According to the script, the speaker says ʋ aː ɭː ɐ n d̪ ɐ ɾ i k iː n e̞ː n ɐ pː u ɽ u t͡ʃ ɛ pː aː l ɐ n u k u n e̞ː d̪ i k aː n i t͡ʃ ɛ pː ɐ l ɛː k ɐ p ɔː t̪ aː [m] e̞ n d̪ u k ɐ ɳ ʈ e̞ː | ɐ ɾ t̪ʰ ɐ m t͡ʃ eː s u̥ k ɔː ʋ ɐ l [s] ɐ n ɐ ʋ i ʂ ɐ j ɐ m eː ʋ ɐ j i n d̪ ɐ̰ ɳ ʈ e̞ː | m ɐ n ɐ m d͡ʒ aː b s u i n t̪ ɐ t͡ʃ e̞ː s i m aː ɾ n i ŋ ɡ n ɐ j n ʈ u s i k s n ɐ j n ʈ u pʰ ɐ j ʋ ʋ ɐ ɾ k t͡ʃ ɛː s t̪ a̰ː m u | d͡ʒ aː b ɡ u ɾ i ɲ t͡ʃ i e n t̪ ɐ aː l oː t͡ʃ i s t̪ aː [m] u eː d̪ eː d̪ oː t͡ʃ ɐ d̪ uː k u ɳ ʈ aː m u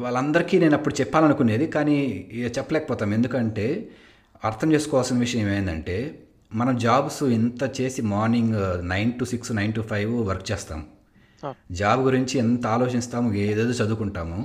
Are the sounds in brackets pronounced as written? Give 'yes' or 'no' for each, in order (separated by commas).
yes, yes, yes